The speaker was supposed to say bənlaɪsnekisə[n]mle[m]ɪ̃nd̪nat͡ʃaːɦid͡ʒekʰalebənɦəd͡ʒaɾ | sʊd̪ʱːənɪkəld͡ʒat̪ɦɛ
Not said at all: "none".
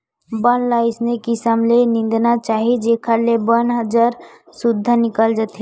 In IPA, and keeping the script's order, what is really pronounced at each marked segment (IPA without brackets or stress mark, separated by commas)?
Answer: none, n